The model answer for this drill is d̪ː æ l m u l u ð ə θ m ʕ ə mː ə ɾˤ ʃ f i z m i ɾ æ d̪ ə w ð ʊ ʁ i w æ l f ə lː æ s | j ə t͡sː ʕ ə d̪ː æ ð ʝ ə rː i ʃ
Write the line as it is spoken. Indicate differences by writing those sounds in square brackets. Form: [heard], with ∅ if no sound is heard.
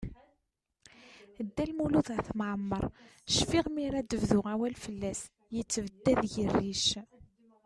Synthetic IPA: d̪ː æ l m u l u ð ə θ m ʕ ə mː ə ɾˤ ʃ f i [ʁ] m i ɾ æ d̪ ə [v] ð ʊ ʁ [æ] w æ l f ə lː æ s | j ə t͡sː [v] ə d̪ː æ ð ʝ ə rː i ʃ